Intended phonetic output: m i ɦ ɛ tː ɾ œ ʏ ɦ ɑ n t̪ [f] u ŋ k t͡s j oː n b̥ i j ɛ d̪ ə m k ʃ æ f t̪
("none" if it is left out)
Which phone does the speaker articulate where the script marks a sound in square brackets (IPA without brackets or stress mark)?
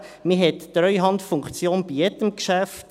f